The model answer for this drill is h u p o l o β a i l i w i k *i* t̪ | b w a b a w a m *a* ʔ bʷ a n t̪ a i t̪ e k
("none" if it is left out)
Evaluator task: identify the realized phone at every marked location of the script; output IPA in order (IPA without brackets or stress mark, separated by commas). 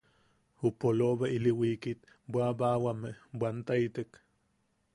i, e